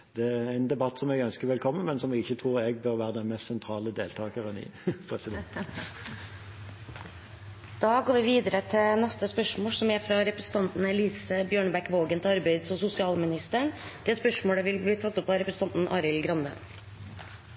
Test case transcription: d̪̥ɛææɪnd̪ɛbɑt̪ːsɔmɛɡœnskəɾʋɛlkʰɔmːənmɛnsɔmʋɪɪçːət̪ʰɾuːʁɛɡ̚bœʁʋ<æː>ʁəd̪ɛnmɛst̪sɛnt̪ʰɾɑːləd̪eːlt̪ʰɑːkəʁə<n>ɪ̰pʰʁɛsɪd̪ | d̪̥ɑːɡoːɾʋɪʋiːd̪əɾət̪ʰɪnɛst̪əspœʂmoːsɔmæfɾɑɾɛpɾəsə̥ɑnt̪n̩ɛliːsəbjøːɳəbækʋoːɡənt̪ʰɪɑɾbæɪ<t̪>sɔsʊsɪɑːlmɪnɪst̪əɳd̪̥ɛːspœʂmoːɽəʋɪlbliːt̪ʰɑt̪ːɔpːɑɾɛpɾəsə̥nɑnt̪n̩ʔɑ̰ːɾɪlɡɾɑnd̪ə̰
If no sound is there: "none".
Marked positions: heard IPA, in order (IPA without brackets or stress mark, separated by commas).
æː, n, d̪